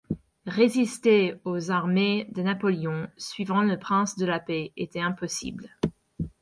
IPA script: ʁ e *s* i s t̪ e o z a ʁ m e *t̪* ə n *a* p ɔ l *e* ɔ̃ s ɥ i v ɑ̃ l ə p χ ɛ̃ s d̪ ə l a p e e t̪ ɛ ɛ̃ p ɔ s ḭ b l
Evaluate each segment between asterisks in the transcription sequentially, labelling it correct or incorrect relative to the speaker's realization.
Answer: incorrect: z, incorrect: d̪, correct, correct

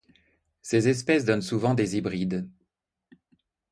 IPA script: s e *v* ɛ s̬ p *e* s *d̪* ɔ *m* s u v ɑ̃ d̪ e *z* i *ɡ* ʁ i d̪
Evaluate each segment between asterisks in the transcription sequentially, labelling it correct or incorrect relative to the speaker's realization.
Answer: incorrect: z, incorrect: ɛ, correct, incorrect: n, correct, incorrect: b

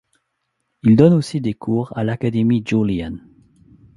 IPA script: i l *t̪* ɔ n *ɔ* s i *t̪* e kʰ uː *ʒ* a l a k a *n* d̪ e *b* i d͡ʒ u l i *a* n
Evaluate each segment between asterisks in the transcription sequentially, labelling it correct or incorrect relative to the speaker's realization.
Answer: incorrect: d̪, incorrect: o, incorrect: d̪, incorrect: ʁ, incorrect: none, incorrect: m, correct

